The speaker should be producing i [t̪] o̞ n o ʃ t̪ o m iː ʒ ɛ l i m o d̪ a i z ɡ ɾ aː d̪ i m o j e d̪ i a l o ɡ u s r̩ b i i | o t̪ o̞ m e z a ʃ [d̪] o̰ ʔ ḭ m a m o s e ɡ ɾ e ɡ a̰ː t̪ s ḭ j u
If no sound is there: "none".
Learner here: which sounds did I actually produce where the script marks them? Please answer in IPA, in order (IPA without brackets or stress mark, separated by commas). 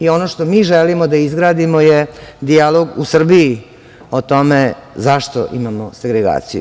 none, t̪